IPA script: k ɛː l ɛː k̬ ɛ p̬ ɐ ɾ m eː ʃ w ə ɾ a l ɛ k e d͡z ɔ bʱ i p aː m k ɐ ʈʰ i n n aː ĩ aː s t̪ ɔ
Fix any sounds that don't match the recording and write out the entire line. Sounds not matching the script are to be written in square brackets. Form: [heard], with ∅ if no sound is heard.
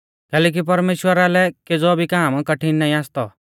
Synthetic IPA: k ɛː l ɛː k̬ [i] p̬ ɐ ɾ m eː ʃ w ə ɾ a l ɛ k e d͡z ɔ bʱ i [k] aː m k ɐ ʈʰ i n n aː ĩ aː s t̪ ɔ